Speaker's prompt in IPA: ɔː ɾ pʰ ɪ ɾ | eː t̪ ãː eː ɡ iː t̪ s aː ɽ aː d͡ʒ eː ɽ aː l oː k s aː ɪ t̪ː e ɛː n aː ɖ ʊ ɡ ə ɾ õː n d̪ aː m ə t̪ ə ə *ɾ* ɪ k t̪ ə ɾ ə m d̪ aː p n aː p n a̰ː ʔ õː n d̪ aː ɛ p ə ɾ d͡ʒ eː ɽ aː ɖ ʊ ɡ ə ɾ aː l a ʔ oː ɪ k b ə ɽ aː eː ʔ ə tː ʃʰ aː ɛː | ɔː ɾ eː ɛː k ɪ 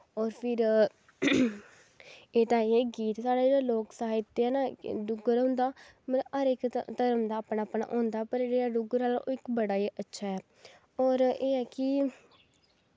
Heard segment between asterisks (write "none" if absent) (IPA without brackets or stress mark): ɾ